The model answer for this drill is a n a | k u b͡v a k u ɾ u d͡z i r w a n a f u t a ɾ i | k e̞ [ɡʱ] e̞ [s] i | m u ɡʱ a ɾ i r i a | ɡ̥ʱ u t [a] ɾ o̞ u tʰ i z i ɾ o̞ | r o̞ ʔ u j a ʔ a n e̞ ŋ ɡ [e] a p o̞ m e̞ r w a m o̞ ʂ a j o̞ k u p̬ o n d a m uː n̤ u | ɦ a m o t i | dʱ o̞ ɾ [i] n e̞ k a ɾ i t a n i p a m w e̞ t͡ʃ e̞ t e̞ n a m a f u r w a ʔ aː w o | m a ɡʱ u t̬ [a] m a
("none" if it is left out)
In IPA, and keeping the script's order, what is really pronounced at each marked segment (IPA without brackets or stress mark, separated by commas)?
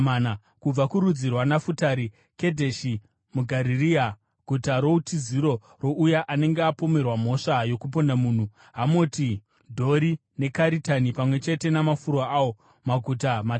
dʱ, ʃ, a, e, i, a